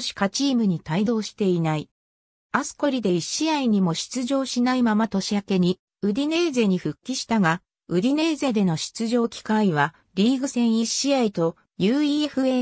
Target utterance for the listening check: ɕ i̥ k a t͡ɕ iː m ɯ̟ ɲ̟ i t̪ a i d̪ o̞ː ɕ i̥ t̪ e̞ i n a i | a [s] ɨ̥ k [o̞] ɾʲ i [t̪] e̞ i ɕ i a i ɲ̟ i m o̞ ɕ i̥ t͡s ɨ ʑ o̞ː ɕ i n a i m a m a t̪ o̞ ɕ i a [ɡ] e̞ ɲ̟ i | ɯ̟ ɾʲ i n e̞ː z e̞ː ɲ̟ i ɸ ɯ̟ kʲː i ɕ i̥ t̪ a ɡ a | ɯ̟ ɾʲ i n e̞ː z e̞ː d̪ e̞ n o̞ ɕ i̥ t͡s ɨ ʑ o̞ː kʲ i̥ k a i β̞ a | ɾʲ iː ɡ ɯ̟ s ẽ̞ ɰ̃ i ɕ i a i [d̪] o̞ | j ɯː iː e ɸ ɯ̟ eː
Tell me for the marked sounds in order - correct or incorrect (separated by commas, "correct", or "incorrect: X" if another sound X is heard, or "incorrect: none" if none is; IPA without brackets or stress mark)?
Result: correct, correct, incorrect: d̪, incorrect: k, incorrect: t̪